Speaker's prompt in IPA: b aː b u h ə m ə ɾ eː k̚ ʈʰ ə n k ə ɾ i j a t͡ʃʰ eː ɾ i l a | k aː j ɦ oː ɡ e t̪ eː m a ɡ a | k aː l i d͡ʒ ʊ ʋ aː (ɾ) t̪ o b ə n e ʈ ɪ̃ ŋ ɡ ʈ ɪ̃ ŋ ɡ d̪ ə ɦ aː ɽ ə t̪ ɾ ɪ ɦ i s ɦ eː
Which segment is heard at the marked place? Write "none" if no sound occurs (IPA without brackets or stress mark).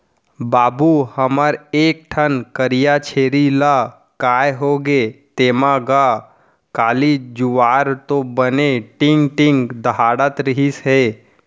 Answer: ɾ